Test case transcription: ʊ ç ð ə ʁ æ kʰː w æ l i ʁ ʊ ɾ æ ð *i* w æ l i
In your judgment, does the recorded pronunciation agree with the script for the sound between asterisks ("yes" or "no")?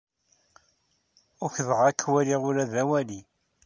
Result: no